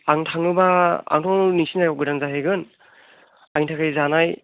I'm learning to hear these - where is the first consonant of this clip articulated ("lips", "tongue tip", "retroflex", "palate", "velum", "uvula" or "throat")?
velum